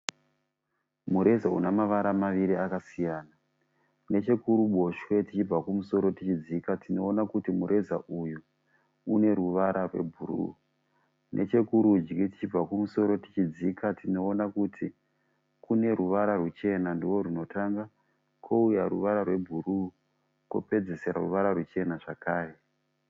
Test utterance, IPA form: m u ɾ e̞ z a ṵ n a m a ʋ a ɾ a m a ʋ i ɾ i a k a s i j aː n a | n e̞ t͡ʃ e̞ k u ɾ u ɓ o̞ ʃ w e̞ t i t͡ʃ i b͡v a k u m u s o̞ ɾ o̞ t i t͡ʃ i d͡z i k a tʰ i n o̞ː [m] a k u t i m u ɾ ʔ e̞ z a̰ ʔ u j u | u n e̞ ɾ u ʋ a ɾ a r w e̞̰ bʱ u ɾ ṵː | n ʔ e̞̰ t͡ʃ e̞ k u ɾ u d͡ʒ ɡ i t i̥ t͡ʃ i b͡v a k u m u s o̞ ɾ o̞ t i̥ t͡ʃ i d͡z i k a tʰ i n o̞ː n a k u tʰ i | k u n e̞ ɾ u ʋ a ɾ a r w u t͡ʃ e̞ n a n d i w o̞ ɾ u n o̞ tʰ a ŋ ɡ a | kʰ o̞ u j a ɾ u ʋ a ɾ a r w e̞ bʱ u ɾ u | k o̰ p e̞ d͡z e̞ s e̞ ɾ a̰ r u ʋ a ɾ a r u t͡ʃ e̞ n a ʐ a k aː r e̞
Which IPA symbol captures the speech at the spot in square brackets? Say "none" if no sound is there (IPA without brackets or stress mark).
n